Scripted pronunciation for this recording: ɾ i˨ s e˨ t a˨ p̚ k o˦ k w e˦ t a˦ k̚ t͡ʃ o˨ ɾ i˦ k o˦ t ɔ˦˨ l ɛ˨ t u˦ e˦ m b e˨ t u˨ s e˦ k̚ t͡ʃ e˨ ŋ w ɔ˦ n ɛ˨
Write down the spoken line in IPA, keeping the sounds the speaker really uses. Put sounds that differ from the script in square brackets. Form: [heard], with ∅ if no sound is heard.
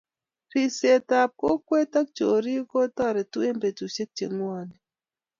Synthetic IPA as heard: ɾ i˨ s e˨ t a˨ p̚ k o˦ k w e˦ t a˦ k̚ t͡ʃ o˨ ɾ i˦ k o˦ t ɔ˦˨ [ɾ] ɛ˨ t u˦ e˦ m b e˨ t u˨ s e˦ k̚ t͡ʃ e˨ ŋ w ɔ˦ n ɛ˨